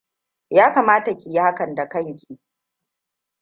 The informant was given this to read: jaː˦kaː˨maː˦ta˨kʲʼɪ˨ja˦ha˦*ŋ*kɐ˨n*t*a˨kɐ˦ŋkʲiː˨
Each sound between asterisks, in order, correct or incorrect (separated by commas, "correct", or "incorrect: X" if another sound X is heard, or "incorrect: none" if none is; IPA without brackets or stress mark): incorrect: none, incorrect: d